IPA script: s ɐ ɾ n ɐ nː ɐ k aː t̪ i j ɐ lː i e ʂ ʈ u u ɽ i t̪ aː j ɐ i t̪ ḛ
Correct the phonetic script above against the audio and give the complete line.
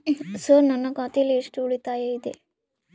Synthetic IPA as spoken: s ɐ ɾ n ɐ nː ɐ k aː t̪ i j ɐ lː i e ʂ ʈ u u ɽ i t̪ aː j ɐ i d̪ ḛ